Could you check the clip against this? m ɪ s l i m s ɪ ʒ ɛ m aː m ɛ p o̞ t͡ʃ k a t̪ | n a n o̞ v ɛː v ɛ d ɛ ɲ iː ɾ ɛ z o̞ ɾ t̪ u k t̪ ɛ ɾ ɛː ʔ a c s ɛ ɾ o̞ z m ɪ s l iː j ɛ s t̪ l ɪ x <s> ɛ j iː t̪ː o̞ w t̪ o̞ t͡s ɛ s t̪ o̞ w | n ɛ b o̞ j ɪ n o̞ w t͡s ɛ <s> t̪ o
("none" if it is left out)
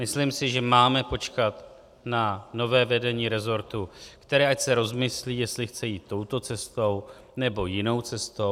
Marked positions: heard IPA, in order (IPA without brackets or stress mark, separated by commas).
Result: t͡s, s